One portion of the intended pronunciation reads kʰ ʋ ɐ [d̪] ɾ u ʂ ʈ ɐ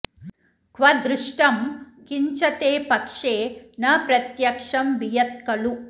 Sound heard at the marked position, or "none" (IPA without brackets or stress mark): d̪